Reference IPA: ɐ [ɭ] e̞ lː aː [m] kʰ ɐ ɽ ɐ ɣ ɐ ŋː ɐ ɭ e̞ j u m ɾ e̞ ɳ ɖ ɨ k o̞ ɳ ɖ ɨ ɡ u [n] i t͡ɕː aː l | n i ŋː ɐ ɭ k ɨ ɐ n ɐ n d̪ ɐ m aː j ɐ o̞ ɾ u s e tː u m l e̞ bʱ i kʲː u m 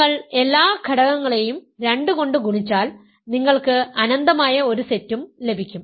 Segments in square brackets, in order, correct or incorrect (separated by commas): correct, incorrect, incorrect